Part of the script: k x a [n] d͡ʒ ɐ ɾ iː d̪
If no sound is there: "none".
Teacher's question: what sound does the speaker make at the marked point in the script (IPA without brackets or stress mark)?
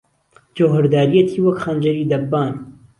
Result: n